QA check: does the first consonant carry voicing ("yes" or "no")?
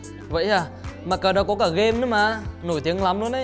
yes